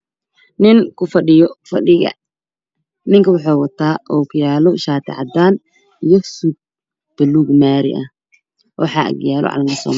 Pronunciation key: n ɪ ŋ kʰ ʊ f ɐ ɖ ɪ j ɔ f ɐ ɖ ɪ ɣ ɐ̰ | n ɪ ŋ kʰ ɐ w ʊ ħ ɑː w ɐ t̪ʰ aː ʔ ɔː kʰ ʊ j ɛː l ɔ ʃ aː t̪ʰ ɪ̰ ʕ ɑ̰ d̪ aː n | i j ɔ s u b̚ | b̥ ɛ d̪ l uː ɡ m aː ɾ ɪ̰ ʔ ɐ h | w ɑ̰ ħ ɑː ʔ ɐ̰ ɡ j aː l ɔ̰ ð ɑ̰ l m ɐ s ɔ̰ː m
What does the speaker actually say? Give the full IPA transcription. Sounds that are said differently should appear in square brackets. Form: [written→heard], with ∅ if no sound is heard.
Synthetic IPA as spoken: n ɪ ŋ kʰ ʊ f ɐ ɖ ɪ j ɔ f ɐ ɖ ɪ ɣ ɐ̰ | n ɪ ŋ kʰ ɐ w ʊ ħ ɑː w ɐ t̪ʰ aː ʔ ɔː kʰ ʊ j [ɛː→aː] l ɔ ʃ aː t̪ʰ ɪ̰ ʕ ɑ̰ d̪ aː n | i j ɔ s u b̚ | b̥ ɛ [d̪→∅] l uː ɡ m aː ɾ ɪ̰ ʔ ɐ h | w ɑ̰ ħ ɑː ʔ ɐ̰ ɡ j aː l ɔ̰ [ð→ʕ] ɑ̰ l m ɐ s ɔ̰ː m